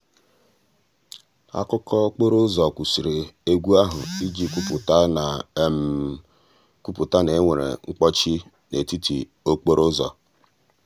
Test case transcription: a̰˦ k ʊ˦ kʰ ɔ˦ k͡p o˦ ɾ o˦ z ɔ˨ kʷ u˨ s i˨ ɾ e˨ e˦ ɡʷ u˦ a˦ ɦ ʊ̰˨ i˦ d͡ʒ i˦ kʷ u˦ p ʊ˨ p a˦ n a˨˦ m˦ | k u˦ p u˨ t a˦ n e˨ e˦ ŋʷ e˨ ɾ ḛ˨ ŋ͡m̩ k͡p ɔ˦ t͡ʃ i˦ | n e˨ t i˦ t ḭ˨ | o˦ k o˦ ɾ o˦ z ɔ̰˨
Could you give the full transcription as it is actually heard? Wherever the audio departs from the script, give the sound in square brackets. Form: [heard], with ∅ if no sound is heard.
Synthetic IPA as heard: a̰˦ k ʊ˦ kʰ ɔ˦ k͡p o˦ ɾ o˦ z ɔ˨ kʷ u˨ s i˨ ɾ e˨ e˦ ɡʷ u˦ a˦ ɦ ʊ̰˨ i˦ d͡ʒ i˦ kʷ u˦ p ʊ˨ [t] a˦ n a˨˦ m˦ | k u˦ p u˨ t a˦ n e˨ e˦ ŋʷ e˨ ɾ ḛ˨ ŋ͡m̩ k͡p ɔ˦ t͡ʃ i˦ | n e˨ t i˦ t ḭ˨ | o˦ [k͡p] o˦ ɾ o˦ z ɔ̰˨